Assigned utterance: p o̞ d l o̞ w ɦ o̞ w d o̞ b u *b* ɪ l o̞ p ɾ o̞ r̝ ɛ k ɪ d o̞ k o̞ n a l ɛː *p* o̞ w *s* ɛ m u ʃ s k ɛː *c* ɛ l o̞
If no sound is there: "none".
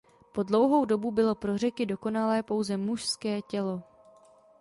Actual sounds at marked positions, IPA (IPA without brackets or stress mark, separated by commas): b, p, z, c